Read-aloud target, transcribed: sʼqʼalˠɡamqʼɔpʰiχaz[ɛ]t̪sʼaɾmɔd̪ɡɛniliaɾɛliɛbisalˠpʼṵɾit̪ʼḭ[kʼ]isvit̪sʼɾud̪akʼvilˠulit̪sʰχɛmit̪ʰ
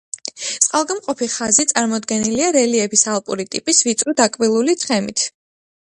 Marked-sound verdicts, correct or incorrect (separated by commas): incorrect, incorrect